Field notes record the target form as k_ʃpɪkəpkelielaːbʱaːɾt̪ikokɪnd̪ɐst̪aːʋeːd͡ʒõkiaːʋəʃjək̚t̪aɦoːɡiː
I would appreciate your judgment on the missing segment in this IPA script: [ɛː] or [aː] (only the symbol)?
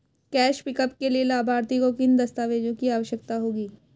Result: ɛː